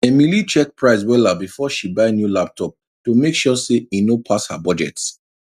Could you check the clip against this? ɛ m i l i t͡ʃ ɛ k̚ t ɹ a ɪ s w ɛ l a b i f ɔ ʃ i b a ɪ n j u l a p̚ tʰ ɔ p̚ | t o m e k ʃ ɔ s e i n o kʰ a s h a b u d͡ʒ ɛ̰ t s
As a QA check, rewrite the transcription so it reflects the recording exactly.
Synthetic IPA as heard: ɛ m i l i t͡ʃ ɛ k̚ p ɹ a ɪ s w ɛ l a b i f ɔ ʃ i b a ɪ n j u l a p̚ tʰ ɔ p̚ | t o m e k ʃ ɔ s e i n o pʰ a s h a b ɔ d͡ʒ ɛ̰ t s